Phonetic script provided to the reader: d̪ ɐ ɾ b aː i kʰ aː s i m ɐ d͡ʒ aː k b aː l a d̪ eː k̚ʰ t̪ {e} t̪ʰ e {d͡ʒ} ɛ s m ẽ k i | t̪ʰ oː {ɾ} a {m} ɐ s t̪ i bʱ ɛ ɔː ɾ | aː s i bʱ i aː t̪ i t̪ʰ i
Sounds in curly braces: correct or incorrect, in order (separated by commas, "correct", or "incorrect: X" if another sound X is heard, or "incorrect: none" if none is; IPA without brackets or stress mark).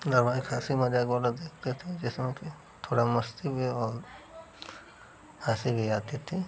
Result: correct, correct, incorrect: ɽ, correct